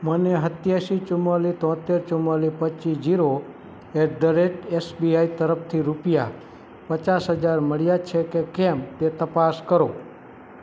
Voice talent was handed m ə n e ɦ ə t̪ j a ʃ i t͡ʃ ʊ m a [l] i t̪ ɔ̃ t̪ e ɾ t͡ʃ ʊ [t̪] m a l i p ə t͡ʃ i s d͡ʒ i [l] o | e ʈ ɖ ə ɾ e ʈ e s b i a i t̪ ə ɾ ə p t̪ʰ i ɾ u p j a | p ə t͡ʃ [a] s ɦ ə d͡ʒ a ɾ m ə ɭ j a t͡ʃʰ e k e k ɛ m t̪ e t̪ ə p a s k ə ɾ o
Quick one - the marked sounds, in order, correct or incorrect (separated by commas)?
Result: correct, incorrect, incorrect, correct